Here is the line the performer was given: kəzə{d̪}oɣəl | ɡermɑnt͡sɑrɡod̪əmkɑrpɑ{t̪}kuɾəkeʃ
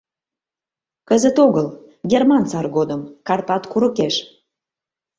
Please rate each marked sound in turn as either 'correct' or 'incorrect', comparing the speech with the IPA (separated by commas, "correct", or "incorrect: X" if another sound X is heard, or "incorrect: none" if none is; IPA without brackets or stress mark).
incorrect: t̪, correct